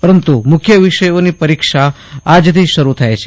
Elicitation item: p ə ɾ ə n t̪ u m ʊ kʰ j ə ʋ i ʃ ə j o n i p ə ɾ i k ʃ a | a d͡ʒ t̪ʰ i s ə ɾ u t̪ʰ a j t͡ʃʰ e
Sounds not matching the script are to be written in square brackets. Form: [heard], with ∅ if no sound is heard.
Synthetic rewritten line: p ə ɾ ə n t̪ u m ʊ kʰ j ə ʋ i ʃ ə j o n i p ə ɾ i k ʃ a | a d͡ʒ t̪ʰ i [ʃ] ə ɾ u t̪ʰ a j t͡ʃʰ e